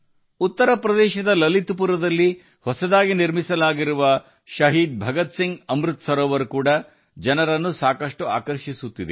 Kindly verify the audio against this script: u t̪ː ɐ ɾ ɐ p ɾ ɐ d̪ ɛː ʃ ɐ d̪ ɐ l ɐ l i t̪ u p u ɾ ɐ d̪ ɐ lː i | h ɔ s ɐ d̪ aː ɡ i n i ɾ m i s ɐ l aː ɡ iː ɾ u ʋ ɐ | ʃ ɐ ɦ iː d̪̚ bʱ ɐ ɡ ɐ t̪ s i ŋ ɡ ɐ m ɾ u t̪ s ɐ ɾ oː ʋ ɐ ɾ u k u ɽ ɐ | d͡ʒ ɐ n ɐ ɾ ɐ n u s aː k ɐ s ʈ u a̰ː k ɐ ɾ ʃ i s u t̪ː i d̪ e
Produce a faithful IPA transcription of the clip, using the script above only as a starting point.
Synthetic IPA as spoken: u t̪ː ɐ ɾ ɐ p ɾ ɐ d̪ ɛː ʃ ɐ d̪ ɐ l ɐ l i t̪ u p u ɾ ɐ d̪ ɐ lː i | h ɔ s ɐ d̪ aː ɡ i n i ɾ m i s ɐ l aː ɡ i ɾ u ʋ ɐ | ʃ ɐ ɦ iː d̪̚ bʱ ɐ ɡ ɐ t̪ s i ŋ ɡ ɐ m ɾ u t̪ s ɐ ɾ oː ʋ ɐ ɾ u k uː ɽ ɐ | d͡ʒ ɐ n ɐ ɾ ɐ nː u s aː k ɐ ʂ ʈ u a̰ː k ɐ ɾ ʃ i s u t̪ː i d̪ e